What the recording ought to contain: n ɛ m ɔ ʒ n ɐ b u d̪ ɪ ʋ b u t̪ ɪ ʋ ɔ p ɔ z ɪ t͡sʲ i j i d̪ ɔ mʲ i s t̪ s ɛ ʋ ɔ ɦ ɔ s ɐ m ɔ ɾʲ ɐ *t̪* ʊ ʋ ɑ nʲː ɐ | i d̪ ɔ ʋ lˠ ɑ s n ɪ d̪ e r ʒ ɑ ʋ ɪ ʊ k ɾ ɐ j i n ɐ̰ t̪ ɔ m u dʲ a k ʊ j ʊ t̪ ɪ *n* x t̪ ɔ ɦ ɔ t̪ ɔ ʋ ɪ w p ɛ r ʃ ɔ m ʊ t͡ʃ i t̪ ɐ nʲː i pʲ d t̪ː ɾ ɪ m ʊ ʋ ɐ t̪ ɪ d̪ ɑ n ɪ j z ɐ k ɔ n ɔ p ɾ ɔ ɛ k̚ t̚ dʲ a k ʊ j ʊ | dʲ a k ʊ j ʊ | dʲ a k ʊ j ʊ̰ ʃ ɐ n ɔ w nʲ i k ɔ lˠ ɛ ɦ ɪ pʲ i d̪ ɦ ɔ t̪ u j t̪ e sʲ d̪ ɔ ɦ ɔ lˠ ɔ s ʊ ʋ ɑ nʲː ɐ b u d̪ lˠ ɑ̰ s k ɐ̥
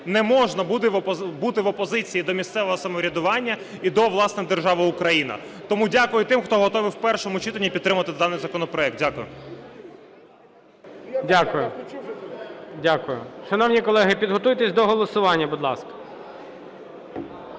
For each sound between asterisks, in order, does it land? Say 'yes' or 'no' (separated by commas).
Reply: no, no